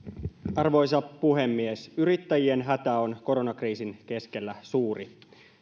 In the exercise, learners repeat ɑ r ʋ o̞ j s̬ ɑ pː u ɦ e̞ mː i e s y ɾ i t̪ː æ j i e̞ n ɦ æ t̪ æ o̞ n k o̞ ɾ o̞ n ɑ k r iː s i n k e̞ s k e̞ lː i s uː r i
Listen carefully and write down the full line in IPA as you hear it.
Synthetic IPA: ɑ r ʋ o̞ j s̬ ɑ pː u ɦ e̞ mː i e s y ɾ i t̪ː æ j i e̞ n ɦ æ t̪ æ o̞ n k o̞ ɾ o̞ n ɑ k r iː s i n k e̞ s k e̞ lː æ s uː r i